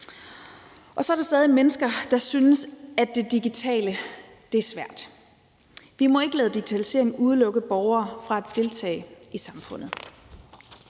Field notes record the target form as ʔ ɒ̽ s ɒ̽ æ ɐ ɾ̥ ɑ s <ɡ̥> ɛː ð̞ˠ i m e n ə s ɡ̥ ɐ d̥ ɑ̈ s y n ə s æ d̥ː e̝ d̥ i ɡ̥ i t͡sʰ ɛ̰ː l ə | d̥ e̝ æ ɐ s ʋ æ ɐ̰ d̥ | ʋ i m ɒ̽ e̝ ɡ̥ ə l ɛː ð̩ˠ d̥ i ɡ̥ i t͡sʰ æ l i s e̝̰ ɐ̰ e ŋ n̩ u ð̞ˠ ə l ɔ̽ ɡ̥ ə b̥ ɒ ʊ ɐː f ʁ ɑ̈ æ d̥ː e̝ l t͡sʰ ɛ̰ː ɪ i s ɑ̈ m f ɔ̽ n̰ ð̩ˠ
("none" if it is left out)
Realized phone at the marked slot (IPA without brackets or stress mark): d̥